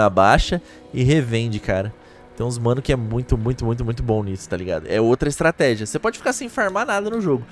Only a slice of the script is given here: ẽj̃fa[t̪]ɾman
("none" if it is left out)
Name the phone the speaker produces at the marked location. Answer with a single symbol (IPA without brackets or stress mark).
none